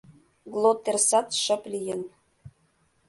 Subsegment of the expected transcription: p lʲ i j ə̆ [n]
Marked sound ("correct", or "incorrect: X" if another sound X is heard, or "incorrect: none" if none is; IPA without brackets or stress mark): correct